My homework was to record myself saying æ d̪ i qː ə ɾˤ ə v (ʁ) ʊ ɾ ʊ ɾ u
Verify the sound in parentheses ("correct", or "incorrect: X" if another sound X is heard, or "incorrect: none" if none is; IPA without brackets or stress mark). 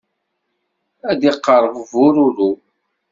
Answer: incorrect: v